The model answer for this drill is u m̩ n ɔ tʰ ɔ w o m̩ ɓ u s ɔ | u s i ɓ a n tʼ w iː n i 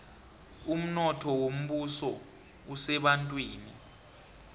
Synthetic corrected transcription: u m̩ n ɔ tʰ ɔ w o m̩ ɓ u s ɔ | u s ɛ ɓ a n tʼ w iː n i